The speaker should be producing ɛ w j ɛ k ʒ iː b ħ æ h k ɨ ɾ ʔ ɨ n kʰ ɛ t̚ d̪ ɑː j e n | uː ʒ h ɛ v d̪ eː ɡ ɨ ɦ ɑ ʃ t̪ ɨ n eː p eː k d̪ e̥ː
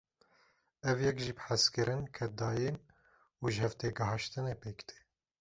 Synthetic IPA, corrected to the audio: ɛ v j ɛ k ʒ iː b ħ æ s k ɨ ɾ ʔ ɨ n kʰ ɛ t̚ d̪ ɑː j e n | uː ʒ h ɛ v t̪ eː ɡ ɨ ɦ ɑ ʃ t̪ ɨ n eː p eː k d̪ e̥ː